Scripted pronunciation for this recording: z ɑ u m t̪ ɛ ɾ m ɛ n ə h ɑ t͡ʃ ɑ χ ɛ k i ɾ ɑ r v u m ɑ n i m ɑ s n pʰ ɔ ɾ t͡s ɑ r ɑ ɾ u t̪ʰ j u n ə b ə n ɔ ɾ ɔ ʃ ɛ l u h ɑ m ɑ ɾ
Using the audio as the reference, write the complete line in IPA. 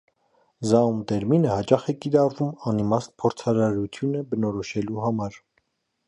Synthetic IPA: z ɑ u m t̪ ɛ ɾ m i n ə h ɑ t͡ʃ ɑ χ ɛ k i ɾ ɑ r v u m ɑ n i m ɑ s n pʰ ɔ ɾ t͡sʰ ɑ ɾ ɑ ɾ u t̪ʰ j u n ə b ə n ɔ ɾ ɔ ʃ ɛ l u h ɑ m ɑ ɾ